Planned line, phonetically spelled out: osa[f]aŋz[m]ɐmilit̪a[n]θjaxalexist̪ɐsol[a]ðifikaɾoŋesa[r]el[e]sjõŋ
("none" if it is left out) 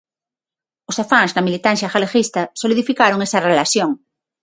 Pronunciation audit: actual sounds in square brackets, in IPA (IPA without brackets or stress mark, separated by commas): f, n, n, i, r, a